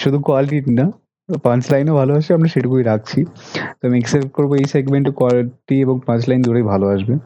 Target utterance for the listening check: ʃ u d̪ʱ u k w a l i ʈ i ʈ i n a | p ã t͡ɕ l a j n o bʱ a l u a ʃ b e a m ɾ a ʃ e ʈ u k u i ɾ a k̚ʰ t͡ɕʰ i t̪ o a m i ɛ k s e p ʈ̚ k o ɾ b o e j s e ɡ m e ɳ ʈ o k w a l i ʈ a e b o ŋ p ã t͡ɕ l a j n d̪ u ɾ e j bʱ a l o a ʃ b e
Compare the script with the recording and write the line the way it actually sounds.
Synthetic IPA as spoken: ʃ u d̪ʱ u k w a l i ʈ i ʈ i n a | p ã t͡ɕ l a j n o bʱ a l o a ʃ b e a m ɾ a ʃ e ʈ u k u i ɾ a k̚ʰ t͡ɕʰ i t̪ o a m i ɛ k s e p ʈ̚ k o ɾ b o e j s e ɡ m e ɳ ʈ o k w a l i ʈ i e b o ŋ p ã t͡ɕ l a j n d̪ u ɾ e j bʱ a l o a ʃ b e